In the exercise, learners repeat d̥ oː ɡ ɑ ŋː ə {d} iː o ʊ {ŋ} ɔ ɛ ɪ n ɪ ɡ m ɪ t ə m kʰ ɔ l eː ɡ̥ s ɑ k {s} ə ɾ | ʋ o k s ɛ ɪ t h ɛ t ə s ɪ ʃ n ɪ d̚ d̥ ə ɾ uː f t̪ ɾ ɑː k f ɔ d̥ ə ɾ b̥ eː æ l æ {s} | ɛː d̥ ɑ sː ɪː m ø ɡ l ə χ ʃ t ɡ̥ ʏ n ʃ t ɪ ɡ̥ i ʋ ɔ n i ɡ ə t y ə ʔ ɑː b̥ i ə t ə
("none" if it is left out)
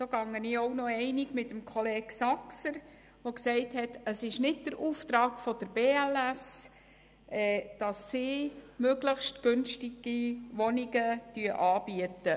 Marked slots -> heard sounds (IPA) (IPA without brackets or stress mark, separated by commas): n, n, s, s